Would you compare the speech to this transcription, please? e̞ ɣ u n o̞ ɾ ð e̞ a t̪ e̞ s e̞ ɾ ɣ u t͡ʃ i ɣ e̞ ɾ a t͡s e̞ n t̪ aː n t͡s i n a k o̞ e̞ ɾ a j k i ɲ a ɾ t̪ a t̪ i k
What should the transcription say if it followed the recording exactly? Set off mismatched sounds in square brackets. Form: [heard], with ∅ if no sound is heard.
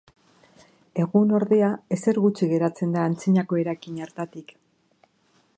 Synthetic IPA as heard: e̞ ɣ u n o̞ ɾ ð e̞ a [∅] e̞ s e̞ ɾ ɣ u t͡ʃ i ɣ e̞ ɾ a t͡s e̞ n [d̪] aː n t͡s i [ɲ] a k o̞ e̞ ɾ a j k i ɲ a ɾ t̪ a t̪ i k